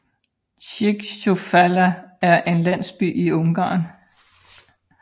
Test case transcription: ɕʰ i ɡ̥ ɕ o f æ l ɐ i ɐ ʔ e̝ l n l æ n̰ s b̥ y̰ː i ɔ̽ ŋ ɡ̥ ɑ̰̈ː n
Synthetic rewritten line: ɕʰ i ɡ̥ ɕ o f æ l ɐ æ ɐ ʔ e̝ n l æ n̰ s b̥ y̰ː i ɔ̽ ŋ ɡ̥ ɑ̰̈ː n